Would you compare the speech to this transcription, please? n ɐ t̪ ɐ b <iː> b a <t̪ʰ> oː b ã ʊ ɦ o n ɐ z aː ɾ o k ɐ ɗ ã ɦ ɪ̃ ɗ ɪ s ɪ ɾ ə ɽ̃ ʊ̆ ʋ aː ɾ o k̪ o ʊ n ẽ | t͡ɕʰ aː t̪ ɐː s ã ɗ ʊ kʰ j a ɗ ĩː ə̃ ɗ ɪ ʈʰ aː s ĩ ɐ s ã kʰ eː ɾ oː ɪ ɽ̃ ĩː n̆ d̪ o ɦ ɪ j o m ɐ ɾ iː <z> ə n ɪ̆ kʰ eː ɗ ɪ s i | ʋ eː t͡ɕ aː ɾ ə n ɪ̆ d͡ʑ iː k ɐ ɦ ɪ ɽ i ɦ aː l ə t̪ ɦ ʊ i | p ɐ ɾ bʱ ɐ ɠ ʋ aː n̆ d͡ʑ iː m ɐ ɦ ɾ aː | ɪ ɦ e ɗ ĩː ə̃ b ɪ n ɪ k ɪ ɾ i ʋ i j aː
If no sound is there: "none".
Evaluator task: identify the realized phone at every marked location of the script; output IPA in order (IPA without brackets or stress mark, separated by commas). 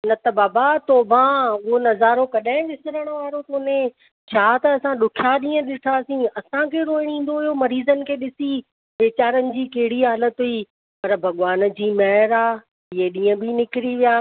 aː, t̪, z